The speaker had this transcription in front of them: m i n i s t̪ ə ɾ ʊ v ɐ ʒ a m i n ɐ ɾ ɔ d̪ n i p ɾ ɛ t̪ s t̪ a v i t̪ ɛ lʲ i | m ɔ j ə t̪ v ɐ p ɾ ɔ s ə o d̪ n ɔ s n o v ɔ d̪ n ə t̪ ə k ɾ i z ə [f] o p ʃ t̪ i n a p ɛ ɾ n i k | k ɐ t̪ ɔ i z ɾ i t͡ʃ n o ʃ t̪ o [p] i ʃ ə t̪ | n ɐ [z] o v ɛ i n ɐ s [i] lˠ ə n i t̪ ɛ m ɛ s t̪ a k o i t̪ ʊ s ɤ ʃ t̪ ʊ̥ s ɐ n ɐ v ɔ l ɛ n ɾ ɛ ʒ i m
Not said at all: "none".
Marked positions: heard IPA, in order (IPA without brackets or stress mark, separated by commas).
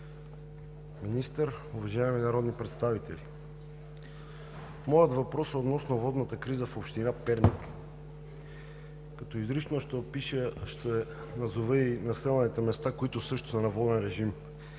f, p, z, ɛ